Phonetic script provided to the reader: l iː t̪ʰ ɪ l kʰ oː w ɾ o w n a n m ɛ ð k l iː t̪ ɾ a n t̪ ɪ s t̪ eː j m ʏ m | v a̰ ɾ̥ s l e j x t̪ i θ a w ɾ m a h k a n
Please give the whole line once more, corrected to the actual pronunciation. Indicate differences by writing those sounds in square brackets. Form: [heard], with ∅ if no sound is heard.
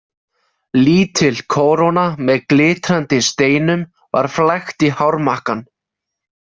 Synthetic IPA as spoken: l iː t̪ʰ ɪ l kʰ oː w ɾ o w n a [∅] m ɛ ð k l [ɪː] t̪ ɾ a n t̪ ɪ s t̪ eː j [n] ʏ m | v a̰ ɾ̥ [f] l [a] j x t̪ i [h] a w ɾ m a h k a n